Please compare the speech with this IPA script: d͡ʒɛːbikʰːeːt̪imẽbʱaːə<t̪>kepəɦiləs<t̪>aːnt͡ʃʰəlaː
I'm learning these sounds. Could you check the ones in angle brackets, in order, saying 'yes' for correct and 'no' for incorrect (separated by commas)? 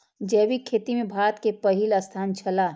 yes, no